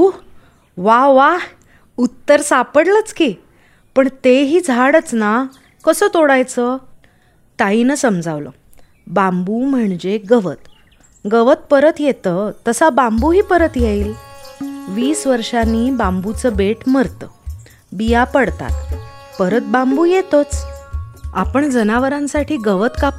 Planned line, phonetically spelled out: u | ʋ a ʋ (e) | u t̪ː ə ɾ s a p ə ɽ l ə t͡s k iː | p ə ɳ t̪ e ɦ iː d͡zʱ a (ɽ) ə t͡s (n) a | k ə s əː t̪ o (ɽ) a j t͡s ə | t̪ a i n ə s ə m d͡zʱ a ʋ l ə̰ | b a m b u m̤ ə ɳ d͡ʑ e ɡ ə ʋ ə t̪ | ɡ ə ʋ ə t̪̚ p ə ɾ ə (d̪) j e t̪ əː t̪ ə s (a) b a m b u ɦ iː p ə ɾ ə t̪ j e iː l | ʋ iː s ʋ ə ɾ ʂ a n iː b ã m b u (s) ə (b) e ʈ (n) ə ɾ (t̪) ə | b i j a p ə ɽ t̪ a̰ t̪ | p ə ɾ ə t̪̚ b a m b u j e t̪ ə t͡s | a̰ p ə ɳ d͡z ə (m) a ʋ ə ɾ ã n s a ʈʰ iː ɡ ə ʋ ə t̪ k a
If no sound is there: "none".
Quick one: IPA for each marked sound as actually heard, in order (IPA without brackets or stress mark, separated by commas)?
a, ɽ, n, ɽ, t̪, a, t͡s, b, m, t̪, n